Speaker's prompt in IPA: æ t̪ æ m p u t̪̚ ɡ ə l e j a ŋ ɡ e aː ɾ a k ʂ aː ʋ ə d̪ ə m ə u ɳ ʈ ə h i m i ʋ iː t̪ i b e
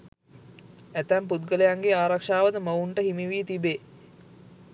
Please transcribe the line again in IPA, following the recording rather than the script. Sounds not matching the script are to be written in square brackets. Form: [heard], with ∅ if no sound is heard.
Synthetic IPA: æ t̪ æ m p u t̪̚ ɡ ə l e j a ŋ ɡ e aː ɾ a k ʂ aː ʋ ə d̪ ə m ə u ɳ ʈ ə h i m i ʋ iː t̪ i b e